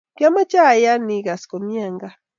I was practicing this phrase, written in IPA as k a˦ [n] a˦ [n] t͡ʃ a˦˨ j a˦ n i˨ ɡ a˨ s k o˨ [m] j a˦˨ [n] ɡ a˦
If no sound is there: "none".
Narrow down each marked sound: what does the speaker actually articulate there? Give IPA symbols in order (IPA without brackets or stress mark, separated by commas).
m, none, m, ŋ